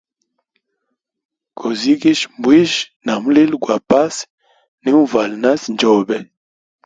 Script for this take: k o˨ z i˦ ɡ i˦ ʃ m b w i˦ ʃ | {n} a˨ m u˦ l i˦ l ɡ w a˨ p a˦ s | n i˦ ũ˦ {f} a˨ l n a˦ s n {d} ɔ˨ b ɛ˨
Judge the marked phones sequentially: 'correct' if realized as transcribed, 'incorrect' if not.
correct, incorrect, incorrect

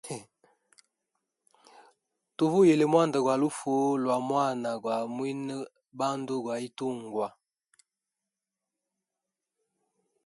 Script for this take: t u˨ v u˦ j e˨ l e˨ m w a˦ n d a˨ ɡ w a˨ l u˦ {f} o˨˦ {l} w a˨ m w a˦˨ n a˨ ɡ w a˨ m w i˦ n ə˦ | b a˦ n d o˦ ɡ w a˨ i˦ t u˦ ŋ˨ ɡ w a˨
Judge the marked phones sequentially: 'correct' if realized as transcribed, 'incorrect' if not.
correct, correct

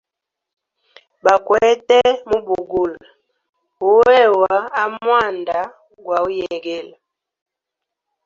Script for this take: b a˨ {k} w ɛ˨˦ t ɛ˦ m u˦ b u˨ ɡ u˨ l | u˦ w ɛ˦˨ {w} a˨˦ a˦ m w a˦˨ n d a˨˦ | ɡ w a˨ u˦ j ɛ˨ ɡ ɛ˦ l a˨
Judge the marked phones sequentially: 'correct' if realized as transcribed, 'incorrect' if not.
correct, correct

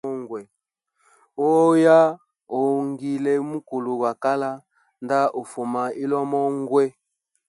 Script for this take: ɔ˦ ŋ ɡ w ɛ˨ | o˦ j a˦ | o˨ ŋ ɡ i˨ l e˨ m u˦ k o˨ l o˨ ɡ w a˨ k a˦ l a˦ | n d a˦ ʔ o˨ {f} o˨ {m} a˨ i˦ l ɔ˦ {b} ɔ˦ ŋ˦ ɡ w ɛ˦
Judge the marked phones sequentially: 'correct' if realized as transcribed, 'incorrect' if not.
correct, correct, incorrect

